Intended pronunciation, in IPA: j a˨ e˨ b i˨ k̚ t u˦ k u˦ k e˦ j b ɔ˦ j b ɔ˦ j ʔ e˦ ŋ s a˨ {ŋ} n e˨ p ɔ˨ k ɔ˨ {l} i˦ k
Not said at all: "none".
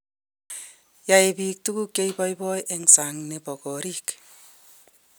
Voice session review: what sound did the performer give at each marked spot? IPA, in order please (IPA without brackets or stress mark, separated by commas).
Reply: ŋ, ɾ